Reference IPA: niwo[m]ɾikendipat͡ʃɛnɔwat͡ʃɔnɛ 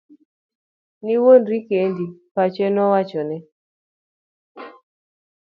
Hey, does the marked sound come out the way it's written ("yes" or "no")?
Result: no